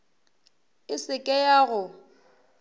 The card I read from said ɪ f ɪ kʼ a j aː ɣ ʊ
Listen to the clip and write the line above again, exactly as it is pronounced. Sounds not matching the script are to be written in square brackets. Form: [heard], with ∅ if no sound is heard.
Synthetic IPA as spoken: ɪ [s] ɪ kʼ [ɛ] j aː ɣ ʊ